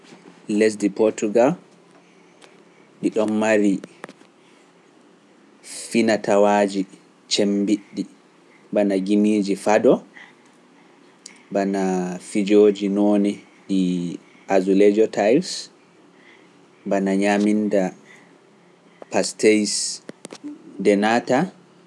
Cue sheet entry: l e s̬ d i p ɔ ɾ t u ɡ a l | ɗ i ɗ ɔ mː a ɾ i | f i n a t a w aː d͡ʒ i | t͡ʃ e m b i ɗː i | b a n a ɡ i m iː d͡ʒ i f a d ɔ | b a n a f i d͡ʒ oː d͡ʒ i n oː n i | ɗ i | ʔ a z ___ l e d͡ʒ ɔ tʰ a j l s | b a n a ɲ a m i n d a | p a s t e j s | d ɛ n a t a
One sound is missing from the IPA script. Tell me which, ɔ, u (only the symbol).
u